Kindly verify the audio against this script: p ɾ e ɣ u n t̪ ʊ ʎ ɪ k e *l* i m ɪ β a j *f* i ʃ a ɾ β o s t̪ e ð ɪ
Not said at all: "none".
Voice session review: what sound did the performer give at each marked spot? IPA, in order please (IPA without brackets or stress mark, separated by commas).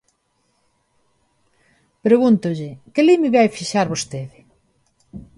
l, f